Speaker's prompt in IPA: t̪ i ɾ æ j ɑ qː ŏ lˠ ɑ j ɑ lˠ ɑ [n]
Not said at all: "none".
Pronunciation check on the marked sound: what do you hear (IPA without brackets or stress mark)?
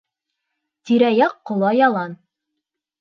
n